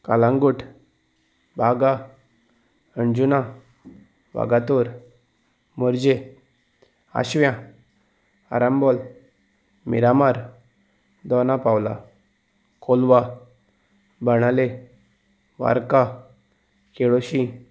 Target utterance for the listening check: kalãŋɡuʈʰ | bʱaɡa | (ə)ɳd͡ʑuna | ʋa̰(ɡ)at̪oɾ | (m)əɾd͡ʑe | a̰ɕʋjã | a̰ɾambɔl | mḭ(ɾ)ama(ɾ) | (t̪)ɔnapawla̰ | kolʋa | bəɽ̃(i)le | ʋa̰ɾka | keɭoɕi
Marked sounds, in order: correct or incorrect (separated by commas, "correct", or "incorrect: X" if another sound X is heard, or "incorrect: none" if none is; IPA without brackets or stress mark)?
correct, correct, correct, correct, correct, incorrect: d̪, incorrect: a